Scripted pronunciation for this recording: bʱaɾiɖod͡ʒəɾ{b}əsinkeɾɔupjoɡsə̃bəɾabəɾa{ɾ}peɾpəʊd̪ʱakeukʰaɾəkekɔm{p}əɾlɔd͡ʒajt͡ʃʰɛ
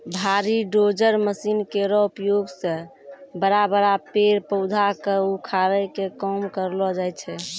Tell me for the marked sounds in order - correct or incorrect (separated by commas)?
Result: incorrect, incorrect, incorrect